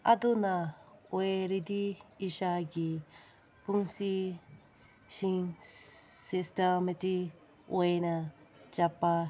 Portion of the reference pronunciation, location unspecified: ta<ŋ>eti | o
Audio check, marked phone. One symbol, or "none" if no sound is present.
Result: m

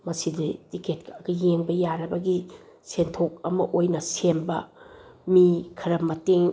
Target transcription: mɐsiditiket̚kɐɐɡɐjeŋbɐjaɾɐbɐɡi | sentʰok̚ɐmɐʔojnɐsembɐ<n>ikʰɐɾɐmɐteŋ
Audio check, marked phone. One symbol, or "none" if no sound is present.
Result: m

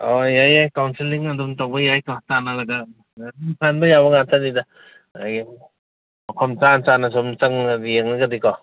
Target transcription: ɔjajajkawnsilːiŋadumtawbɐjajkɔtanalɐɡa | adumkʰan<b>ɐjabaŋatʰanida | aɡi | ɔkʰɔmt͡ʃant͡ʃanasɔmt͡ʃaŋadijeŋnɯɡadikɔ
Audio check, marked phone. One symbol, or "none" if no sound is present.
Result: b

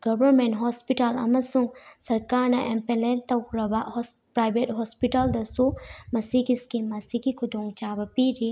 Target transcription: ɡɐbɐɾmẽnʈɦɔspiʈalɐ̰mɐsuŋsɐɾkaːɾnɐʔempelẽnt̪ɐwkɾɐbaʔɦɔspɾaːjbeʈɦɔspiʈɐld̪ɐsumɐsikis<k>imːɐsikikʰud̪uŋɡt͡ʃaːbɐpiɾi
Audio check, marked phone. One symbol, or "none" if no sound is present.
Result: k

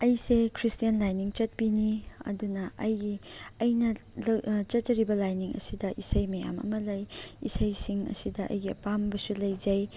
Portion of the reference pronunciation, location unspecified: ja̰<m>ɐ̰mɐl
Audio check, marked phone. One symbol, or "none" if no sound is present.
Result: m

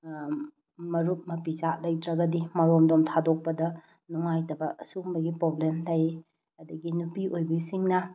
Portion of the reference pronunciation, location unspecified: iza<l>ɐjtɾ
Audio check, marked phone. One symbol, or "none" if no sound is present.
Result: l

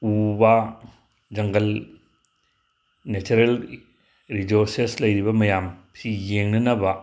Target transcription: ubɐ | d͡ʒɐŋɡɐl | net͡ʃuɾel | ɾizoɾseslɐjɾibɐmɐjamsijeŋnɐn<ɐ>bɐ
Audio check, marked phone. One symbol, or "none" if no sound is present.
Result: ɐ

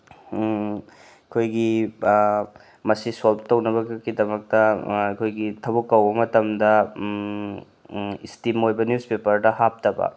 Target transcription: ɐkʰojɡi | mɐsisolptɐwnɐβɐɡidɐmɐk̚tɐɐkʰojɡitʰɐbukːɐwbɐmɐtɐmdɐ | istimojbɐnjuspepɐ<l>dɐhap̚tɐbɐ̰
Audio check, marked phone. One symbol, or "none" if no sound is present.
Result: ɾ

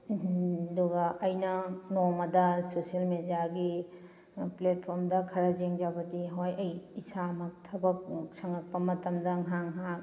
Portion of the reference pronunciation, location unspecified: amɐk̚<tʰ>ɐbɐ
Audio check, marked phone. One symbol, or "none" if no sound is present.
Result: tʰ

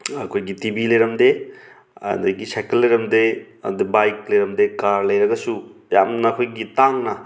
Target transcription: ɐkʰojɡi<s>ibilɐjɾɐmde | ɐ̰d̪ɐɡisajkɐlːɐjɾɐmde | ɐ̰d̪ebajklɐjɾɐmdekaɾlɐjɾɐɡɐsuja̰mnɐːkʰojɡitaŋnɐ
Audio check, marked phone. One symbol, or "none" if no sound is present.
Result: t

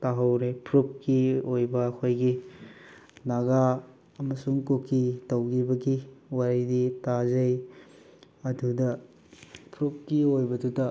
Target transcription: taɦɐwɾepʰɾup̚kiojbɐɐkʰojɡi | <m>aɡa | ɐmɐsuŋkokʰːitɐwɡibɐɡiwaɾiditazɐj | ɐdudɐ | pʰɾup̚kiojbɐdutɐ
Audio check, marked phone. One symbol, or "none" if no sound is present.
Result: n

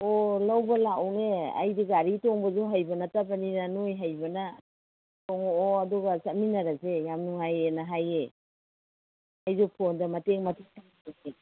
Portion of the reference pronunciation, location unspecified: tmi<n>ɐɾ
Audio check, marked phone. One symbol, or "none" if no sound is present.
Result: n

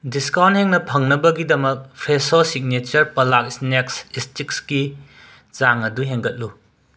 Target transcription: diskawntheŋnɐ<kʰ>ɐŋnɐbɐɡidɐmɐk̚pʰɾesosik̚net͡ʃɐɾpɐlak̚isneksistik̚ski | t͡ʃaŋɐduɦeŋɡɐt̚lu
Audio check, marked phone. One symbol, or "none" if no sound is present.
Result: pʰ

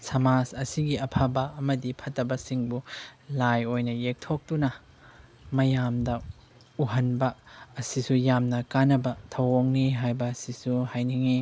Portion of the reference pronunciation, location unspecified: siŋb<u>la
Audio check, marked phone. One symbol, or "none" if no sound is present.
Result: u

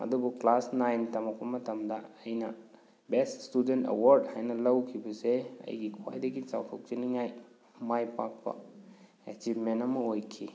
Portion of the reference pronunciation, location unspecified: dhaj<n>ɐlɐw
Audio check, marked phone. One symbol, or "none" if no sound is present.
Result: n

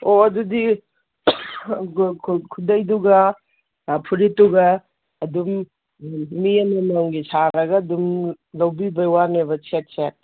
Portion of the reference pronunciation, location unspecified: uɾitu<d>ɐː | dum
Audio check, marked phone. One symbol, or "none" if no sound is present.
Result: ɡ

